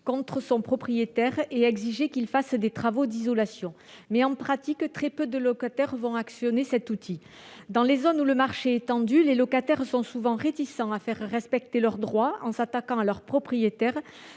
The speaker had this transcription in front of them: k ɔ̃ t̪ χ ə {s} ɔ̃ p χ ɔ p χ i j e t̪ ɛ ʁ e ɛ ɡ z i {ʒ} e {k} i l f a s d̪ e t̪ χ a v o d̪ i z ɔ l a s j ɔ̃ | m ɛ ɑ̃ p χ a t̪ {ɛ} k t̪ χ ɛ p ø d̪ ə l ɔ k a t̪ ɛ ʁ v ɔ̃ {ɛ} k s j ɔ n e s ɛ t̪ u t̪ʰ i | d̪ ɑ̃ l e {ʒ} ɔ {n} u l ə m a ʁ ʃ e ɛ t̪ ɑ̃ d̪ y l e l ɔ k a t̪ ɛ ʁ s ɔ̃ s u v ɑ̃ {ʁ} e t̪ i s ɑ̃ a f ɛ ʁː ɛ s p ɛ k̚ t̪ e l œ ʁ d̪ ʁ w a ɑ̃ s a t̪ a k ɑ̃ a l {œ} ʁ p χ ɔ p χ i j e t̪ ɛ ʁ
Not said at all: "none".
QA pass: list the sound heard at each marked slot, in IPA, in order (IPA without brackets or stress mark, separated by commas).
s, ʒ, k, i, a, z, n, ʁ, œ